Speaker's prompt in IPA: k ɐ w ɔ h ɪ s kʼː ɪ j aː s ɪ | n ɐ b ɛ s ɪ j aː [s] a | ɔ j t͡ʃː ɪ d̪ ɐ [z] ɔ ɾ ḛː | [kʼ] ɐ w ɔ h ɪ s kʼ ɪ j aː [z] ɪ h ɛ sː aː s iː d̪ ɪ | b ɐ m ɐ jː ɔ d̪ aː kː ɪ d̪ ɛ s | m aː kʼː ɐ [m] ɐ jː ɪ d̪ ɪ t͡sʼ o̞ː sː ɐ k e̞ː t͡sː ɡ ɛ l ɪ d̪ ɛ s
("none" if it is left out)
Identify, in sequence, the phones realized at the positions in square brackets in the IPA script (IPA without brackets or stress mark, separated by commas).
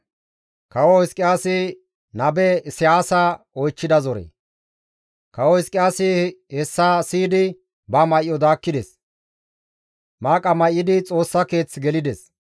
s, z, k, s, m